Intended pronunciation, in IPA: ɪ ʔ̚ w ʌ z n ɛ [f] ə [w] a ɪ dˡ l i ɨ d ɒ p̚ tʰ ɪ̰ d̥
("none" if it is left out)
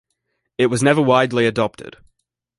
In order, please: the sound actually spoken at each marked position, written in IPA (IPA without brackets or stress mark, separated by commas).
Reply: v, w